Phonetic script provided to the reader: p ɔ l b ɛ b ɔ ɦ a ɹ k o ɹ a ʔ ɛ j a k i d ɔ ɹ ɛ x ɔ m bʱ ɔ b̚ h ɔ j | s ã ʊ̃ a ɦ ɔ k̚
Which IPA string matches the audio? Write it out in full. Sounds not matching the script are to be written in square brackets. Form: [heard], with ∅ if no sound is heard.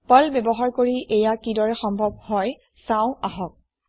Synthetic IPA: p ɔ l b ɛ b ɔ ɦ a ɹ k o ɹ [i] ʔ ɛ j a k i d ɔ ɹ ɛ x ɔ m bʱ ɔ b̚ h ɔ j | s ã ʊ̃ a ɦ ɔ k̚